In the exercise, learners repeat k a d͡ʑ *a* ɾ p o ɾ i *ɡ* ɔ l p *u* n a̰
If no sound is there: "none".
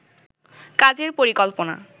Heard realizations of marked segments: e, k, o

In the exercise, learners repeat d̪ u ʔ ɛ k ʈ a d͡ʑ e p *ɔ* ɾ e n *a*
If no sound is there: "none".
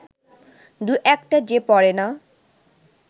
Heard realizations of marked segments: ɔ, a

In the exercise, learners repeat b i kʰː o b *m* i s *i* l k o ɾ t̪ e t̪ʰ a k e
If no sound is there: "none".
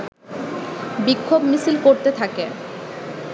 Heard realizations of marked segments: m, i

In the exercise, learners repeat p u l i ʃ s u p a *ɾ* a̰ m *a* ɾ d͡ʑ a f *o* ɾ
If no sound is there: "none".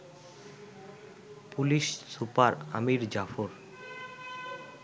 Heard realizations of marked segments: ɾ, i, o

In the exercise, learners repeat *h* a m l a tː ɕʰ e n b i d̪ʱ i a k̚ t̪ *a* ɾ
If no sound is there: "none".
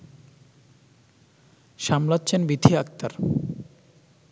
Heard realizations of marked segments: ʃ, a

